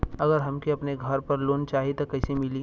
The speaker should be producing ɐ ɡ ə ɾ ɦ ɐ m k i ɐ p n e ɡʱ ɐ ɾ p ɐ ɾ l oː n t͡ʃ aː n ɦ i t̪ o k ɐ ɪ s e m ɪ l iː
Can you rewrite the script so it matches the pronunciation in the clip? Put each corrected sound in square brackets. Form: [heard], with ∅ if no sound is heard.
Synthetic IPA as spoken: ɐ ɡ ə ɾ ɦ ɐ m k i ɐ p n e ɡʱ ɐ ɾ p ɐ ɾ l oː n t͡ʃ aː [∅] ɦ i t̪ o k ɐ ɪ s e m ɪ l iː